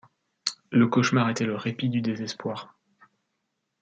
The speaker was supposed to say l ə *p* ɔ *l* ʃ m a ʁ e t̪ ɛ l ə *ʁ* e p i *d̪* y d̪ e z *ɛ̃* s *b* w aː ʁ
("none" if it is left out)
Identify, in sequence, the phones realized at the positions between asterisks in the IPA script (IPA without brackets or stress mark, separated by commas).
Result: k, none, ʁ, d̪, ɛ, p